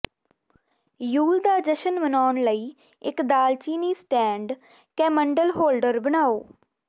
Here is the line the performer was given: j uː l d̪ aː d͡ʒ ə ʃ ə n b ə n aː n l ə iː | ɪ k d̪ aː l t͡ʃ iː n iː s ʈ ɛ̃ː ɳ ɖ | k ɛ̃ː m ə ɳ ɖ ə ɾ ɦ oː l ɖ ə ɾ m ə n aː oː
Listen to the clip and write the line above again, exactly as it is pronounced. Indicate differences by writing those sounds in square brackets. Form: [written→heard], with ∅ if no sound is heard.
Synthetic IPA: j uː l d̪ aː d͡ʒ ə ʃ ə n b ə n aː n l ə iː | ɪ k d̪ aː l t͡ʃ iː n iː s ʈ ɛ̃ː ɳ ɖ | k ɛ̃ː m ə ɳ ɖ ə [ɾ→l] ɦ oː l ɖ ə ɾ [m→b] ə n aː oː